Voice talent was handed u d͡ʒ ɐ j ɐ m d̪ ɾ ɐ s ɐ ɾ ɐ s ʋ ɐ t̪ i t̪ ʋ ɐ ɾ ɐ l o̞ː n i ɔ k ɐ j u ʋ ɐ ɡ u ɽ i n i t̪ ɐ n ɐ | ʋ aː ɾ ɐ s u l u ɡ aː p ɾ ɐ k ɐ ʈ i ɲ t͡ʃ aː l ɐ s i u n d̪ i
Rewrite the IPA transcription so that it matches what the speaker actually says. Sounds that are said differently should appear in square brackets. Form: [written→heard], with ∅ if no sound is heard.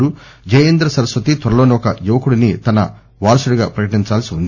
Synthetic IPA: u d͡ʒ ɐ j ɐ [m→n] d̪ ɾ ɐ s ɐ ɾ ɐ s ʋ ɐ t̪ i t̪ ʋ ɐ ɾ ɐ l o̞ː n i ɔ k ɐ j u ʋ ɐ [ɡ→k] u ɽ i n i t̪ ɐ n ɐ | ʋ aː ɾ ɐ s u [l→ɽ] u ɡ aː p ɾ ɐ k ɐ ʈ i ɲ t͡ʃ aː l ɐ s i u n d̪ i